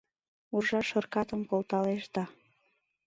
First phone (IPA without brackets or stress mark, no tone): u